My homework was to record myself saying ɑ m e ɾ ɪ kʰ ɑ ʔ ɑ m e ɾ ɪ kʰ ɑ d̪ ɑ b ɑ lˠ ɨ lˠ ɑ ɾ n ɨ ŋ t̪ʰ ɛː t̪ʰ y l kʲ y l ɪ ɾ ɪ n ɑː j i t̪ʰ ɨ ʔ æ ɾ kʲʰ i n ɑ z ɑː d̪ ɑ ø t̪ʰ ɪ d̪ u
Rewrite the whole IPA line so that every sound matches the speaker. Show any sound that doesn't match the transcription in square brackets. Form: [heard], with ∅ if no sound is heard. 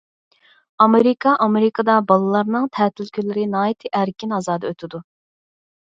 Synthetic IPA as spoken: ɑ m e ɾ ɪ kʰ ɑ ʔ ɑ m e ɾ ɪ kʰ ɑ d̪ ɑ b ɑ lˠ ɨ lˠ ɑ ɾ n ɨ ŋ t̪ʰ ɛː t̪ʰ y l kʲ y l ɪ ɾ ɪ n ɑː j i t̪ʰ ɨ ʔ æ ɾ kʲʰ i n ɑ z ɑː d̪ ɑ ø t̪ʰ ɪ d̪ u